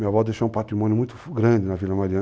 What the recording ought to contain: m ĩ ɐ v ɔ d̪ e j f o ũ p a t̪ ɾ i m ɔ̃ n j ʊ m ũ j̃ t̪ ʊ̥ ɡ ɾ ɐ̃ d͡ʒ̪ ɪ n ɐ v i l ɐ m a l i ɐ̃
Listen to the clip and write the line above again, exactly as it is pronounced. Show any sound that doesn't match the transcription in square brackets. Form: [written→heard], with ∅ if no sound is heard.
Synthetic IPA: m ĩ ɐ v ɔ d̪ e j [f→ʃ] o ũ p a t̪ ɾ i m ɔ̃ n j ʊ m ũ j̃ t̪ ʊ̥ ɡ ɾ ɐ̃ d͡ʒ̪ ɪ n ɐ v i l ɐ m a [l→ɾ] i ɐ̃